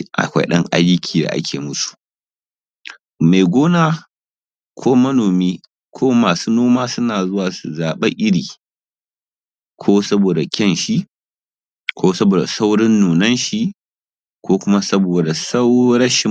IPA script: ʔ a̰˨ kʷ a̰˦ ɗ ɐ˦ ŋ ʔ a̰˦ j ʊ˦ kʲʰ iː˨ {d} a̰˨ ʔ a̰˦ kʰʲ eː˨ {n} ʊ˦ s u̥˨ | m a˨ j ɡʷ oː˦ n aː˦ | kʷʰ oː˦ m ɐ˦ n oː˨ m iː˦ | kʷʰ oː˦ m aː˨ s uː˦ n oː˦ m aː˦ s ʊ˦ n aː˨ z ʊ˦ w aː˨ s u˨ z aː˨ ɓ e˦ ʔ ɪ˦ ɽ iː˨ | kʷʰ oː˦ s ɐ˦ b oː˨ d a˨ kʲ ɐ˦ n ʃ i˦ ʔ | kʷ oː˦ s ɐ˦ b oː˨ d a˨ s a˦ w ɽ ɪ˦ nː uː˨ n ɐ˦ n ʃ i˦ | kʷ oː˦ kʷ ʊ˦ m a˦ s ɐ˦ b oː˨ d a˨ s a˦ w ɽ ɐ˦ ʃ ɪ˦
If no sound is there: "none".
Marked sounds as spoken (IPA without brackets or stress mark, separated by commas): d, m